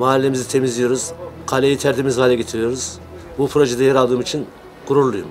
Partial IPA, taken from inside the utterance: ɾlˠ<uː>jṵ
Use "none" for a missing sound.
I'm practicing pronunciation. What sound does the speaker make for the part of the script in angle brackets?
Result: u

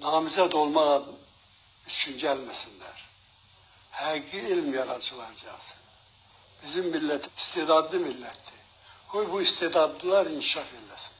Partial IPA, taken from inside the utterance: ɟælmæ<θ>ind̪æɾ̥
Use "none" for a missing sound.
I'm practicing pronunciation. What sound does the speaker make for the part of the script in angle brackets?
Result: s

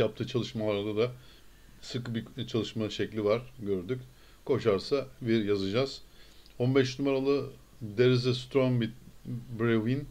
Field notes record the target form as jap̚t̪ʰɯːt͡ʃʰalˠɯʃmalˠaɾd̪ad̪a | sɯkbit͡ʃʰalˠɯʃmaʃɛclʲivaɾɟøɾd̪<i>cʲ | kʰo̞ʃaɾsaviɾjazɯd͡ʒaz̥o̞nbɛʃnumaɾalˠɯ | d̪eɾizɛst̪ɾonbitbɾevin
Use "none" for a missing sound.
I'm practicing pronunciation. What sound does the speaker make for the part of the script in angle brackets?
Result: y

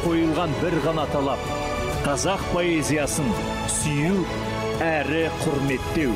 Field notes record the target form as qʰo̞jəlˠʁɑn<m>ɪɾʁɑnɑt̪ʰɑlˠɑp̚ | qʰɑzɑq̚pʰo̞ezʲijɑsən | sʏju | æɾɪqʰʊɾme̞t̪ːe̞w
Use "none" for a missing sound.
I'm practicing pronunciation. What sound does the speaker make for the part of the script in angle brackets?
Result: b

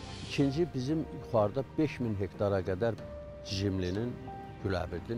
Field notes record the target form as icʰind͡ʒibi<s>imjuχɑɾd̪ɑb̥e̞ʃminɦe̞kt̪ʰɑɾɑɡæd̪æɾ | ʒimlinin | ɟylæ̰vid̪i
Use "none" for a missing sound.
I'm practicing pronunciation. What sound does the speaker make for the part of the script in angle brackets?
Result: z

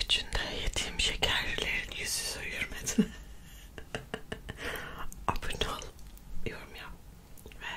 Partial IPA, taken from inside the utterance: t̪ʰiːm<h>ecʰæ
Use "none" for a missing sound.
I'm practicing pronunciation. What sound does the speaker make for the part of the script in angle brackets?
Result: ʃ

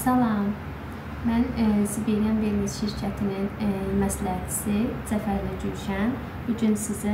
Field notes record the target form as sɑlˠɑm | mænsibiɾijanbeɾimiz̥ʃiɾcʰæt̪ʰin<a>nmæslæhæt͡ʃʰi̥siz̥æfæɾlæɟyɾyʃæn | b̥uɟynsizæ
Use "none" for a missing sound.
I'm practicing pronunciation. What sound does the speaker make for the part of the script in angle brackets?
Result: i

